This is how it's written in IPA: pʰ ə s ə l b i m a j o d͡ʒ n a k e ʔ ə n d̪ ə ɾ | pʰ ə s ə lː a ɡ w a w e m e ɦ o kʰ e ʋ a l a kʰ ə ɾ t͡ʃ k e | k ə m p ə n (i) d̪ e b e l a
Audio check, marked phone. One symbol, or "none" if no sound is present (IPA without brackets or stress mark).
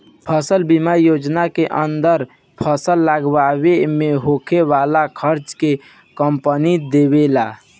i